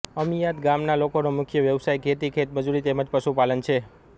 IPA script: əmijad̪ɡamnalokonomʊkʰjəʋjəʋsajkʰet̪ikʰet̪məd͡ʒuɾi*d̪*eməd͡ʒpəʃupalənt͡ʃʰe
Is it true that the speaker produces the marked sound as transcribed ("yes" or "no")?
no